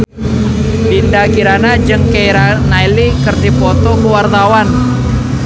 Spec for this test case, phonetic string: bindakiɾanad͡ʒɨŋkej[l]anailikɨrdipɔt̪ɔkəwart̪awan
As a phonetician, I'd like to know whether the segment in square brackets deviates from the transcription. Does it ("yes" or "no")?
yes